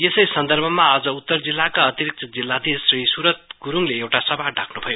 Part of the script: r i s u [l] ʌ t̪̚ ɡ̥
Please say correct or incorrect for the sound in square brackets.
incorrect